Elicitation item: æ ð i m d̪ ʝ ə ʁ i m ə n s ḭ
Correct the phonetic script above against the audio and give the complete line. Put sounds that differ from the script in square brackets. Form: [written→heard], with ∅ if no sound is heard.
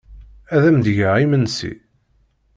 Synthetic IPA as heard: æ ð [i→æ] m d̪ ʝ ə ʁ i m ə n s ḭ

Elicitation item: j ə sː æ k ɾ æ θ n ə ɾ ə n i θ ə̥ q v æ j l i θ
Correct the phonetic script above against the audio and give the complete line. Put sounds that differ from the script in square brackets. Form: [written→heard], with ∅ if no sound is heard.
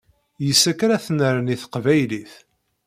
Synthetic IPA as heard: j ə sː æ k ɾ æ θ n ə ɾ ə n i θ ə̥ q v æ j l i θ

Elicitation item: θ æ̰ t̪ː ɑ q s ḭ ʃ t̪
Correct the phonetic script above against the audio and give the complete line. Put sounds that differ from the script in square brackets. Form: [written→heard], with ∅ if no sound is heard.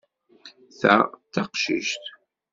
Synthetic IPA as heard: θ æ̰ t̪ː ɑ q [s→ʃ] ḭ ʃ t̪

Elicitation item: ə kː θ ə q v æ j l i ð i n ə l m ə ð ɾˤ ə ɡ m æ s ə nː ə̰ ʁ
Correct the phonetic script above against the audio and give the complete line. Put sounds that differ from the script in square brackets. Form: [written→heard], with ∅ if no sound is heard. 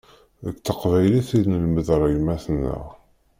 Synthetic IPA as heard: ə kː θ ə q v æ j l i [ð→θ] i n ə l m ə ð ɾˤ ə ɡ m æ [s→θ] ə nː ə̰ ʁ

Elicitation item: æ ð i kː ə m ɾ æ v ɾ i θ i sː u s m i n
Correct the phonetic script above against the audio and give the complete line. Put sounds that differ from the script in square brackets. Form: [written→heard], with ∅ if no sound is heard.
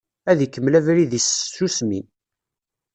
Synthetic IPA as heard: æ ð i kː ə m [ɾ→l] æ v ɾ i [θ→ð] i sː u s m i n

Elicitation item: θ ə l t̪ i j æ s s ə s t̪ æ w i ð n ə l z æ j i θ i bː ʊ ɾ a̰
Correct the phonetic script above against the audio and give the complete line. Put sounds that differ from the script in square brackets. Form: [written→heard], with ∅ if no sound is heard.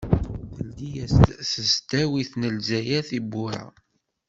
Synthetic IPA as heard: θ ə l [t̪→d̪] i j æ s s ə s t̪ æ w i [ð→θ] n ə l z æ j [i→æ] θ i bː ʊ ɾ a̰

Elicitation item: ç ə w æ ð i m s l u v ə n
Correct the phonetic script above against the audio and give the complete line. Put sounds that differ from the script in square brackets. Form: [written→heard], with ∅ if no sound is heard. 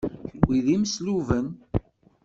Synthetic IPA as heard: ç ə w [æ→i] ð i m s l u v ə n

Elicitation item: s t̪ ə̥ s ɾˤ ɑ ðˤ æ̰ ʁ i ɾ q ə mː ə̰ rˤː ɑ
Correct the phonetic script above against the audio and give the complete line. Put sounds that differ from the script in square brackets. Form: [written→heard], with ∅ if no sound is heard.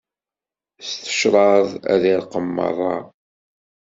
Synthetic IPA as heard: s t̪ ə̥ [s→ʃ] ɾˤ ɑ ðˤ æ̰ [ʁ→ð] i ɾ q ə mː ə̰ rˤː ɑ

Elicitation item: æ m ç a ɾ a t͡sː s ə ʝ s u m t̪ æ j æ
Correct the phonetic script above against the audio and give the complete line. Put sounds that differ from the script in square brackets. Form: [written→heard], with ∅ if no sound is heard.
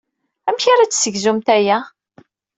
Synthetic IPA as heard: æ m ç a ɾ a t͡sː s ə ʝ [s→z] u m t̪ æ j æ

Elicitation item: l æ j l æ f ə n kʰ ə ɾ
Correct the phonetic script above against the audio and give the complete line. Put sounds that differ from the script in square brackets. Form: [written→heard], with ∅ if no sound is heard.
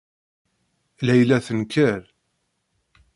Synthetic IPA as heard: l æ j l æ [f→θ] ə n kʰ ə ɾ

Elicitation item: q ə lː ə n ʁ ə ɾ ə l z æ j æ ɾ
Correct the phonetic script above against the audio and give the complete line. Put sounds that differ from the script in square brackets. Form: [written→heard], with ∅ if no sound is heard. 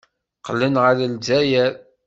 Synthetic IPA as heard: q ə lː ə n ʁ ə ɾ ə l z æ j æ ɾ

